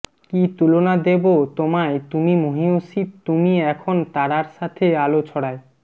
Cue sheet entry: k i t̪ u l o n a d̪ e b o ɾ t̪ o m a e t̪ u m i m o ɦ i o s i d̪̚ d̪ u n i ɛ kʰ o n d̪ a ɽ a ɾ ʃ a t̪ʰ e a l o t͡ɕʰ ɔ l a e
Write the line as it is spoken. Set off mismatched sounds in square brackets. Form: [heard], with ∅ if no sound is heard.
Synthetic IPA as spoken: k i t̪ u l o n a d̪ e b o [∅] t̪ o m a e t̪ u m i m o ɦ i o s i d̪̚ [t̪] u [m] i ɛ kʰ o n [t̪] a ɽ a ɾ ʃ a t̪ʰ e a l o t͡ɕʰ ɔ [ɽ] a e